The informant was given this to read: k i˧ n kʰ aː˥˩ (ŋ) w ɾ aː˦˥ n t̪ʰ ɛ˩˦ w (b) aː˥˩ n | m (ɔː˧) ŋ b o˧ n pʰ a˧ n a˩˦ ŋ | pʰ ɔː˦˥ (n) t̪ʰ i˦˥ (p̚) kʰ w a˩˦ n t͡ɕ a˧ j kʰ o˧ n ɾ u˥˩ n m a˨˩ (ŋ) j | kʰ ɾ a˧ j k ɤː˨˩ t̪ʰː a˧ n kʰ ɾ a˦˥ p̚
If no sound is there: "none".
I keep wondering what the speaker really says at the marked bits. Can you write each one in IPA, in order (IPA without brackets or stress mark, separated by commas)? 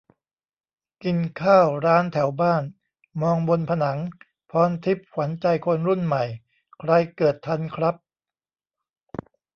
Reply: none, b, ɔː˧, n, p̚, none